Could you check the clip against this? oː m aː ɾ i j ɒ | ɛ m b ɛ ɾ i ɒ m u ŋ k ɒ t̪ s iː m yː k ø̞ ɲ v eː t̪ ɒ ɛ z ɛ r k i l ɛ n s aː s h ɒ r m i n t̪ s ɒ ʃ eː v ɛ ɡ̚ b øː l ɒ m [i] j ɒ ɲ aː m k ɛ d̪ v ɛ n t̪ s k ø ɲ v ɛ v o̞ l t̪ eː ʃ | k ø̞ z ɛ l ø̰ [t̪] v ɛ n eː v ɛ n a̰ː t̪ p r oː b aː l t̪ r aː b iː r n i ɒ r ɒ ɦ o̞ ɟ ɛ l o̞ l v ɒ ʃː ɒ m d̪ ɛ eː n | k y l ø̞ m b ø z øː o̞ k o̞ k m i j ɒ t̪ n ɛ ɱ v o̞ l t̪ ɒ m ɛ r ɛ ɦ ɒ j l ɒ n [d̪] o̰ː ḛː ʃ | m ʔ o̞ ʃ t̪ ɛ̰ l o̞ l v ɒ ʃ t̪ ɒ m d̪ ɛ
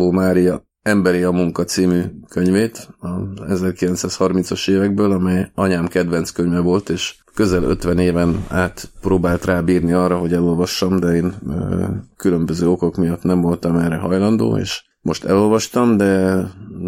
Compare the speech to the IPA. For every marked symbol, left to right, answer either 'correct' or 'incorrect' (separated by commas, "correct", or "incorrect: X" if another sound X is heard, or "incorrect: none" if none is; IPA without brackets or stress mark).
incorrect: ɛ, correct, correct